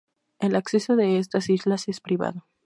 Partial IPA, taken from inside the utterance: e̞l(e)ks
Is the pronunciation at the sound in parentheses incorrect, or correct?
incorrect